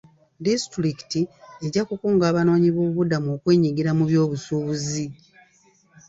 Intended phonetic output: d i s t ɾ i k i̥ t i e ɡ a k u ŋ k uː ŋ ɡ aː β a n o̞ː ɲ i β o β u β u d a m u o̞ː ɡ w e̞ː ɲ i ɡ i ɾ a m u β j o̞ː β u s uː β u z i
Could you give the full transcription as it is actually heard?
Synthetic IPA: d i s t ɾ i k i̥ t i e ɟ a k u k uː ŋ ɡ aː β a n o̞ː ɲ i β o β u β u d a m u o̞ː k w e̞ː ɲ i ɡ i ɾ a m u β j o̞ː β u s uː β u z i